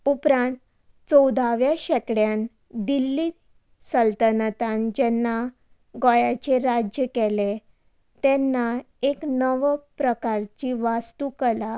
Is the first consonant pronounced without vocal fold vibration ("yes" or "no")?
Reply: yes